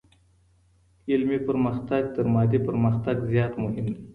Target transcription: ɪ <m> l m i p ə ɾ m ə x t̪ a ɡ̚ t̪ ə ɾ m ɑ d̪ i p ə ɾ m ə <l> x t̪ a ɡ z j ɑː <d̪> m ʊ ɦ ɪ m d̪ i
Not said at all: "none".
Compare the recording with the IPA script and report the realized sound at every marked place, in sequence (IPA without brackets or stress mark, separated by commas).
none, none, t̪